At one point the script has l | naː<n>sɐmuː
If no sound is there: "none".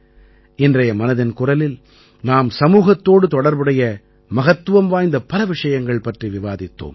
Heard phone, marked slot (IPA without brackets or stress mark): m